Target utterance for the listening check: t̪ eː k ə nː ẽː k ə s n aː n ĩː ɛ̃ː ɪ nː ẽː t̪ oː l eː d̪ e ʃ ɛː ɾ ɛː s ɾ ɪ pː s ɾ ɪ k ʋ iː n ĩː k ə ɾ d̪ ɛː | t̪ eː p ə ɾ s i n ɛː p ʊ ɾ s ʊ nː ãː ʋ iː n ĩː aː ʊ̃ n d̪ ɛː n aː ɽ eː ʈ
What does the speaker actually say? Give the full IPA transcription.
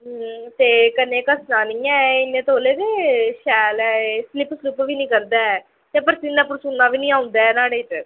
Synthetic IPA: t̪ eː k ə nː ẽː k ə s n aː n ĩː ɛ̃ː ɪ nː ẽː t̪ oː l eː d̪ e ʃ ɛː l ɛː s l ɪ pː s l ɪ p ʋ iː n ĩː k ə ɾ d̪ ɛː | t̪ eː p ə ɾ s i n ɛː p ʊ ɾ s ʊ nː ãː ʋ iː n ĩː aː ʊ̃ n d̪ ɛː n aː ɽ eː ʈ